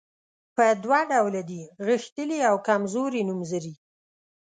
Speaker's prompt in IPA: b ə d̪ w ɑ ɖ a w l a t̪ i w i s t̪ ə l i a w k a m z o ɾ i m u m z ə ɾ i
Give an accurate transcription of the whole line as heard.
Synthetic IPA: p ə d̪ w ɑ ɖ a w l a d̪ i ɣ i x t̪ ə l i a w k a m z o ɾ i n u m z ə ɾ i